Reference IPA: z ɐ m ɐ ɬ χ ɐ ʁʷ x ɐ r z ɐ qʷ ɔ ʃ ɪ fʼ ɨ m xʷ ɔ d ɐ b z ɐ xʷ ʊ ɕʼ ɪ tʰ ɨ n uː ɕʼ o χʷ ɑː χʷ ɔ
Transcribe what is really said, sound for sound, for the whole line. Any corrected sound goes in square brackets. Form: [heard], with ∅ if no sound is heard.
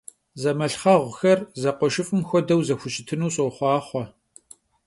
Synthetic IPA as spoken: z ɐ m ɐ ɬ χ ɐ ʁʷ x ɐ r z ɐ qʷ ɔ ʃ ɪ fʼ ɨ m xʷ ɔ d ɐ [w] z ɐ xʷ ʊ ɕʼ ɪ tʰ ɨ n uː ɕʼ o χʷ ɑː χʷ ɔ